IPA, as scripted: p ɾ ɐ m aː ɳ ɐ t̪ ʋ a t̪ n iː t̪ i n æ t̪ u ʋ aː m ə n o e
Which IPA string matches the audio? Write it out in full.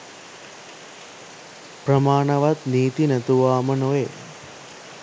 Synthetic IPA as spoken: p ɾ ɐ m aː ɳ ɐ ʋ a t̪ n iː t̪ i n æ t̪ u ʋ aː m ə n o e